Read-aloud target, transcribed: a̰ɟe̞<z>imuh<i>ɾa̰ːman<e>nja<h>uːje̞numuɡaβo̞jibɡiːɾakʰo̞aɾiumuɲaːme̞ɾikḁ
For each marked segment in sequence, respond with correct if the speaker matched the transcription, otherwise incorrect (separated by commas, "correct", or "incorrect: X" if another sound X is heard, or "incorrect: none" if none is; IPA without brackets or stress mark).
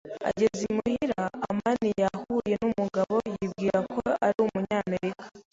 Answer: correct, correct, incorrect: i, correct